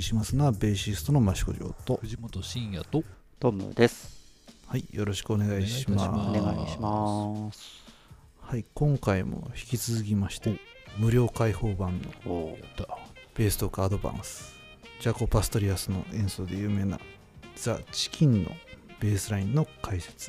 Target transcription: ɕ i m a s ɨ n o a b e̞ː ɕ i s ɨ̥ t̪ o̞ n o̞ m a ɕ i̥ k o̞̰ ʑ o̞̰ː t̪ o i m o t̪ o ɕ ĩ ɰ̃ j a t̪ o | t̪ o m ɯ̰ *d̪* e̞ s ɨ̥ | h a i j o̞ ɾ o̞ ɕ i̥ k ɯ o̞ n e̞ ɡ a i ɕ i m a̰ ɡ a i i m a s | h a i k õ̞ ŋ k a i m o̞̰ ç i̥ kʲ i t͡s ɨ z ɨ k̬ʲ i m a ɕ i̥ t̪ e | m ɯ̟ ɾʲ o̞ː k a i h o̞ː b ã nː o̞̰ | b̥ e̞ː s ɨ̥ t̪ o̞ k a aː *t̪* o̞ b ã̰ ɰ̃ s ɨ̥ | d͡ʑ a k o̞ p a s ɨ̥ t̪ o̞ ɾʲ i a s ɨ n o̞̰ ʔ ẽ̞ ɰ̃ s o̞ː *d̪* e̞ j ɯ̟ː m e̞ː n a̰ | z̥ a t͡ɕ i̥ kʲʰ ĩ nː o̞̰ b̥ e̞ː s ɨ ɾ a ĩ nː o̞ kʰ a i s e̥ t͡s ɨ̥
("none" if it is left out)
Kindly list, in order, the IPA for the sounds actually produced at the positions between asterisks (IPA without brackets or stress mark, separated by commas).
d̪, d̪, d̪